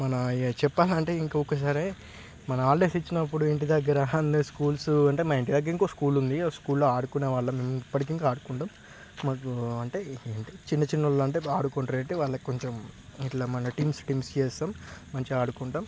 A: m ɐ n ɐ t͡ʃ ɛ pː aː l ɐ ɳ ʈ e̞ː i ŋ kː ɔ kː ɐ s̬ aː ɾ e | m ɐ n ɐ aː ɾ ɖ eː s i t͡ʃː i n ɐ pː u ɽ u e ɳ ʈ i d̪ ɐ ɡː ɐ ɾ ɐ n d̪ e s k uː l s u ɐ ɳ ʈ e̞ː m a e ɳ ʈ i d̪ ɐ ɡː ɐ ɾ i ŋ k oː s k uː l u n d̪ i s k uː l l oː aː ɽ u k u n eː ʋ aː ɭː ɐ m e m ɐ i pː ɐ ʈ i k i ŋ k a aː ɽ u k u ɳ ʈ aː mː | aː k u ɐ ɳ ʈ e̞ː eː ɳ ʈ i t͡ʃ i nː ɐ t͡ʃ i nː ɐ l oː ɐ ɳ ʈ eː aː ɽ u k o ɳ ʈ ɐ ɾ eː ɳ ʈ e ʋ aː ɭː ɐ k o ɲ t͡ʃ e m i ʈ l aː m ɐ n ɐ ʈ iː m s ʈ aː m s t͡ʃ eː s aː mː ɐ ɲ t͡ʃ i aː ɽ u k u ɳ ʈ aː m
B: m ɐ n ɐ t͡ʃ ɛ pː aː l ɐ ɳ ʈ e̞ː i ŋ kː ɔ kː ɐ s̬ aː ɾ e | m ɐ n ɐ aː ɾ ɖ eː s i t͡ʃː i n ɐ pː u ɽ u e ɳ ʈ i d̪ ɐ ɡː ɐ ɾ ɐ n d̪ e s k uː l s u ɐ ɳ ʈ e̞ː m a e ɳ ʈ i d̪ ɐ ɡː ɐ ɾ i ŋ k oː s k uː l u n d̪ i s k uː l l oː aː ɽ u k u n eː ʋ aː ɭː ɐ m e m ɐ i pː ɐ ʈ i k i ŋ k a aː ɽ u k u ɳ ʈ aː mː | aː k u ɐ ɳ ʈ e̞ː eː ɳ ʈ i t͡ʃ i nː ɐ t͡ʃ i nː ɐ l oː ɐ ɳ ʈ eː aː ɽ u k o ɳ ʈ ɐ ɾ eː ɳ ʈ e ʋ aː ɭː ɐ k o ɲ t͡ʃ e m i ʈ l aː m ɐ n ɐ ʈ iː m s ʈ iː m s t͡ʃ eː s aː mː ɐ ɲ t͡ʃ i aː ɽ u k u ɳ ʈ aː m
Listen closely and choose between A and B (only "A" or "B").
B